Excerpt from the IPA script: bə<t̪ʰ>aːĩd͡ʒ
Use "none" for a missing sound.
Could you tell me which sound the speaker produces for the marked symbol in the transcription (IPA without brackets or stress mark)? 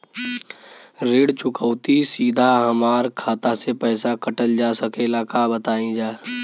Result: t̪